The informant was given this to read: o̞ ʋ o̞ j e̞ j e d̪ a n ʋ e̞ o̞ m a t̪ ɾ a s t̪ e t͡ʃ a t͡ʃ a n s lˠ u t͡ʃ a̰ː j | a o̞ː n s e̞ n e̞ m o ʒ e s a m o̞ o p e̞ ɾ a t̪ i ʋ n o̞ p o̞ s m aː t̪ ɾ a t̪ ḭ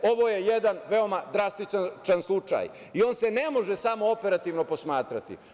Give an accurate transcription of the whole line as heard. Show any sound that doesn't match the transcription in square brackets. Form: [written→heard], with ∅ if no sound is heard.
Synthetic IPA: o̞ ʋ o̞ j e̞ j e d̪ a n ʋ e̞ o̞ m a [t̪→d̪] ɾ a s t̪ [e→i] t͡ʃ a t͡ʃ a n s lˠ u t͡ʃ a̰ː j | [a→i] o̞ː n s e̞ n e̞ m o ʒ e s a m o̞ o p e̞ ɾ a t̪ i ʋ n o̞ p o̞ s m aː t̪ ɾ a t̪ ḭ